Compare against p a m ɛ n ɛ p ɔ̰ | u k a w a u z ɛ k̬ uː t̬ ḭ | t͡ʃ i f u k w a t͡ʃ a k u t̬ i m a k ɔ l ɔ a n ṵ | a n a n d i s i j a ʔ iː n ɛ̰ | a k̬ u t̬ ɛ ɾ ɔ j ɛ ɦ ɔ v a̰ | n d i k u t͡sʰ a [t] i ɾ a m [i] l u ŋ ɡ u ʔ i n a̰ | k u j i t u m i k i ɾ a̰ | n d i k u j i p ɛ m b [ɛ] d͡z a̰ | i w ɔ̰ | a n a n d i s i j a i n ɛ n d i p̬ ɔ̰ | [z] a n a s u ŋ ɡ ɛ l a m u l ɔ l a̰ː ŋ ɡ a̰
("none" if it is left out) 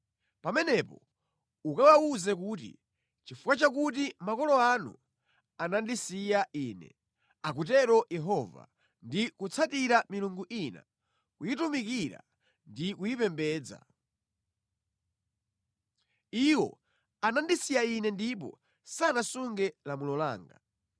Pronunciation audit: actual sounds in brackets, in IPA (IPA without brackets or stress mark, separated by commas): t, i, ɛː, s